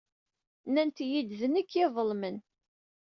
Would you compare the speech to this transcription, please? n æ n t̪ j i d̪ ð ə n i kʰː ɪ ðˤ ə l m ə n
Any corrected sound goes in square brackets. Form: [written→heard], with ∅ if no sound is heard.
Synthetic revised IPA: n æ n t̪ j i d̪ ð ə n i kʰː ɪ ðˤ ə l m ə n